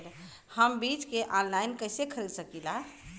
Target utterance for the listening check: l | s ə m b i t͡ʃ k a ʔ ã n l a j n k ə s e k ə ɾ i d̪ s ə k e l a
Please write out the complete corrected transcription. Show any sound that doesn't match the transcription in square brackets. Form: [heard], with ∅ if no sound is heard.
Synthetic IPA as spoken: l | [h] ə m b i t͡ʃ k [e] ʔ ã n l a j n k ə s e [kʰ] ə ɾ i d̪ s ə k [i] l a